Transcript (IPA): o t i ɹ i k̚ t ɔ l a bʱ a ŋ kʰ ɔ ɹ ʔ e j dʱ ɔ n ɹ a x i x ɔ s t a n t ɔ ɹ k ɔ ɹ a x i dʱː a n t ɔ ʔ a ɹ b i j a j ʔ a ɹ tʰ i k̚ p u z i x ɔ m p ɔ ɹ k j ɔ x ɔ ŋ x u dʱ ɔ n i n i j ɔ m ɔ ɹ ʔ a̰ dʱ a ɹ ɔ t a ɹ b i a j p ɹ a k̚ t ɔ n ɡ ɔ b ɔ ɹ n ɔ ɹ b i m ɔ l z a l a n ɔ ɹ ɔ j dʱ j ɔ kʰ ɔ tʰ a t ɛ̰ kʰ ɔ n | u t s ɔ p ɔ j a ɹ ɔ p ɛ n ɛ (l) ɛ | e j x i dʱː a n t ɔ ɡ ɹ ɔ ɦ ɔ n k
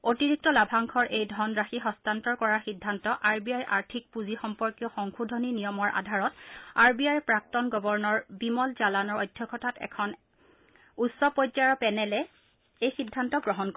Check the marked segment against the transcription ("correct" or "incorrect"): correct